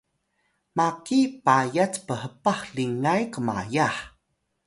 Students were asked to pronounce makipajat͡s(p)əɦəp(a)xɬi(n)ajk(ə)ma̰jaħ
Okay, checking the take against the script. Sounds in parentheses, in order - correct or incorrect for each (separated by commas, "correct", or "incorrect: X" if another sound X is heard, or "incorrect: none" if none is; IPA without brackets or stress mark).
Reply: correct, correct, incorrect: ŋ, correct